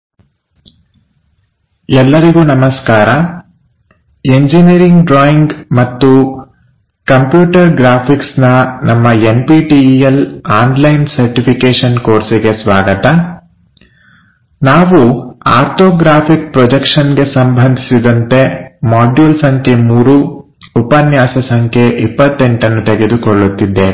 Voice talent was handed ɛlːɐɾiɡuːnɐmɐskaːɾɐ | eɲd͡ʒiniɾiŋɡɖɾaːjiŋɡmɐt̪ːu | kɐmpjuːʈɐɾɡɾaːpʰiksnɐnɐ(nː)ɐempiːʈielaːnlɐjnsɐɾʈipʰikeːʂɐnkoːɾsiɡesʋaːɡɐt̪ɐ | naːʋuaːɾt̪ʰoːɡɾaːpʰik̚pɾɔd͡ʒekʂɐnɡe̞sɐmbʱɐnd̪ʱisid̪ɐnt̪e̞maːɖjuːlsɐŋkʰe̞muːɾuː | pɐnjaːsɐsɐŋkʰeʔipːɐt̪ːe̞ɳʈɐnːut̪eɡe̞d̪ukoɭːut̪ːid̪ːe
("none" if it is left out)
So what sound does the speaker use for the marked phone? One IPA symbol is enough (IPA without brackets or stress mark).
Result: mː